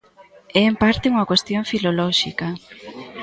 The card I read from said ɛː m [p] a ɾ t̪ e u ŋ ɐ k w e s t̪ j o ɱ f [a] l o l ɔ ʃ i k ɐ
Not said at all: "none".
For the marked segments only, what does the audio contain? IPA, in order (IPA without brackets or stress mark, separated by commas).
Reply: p, i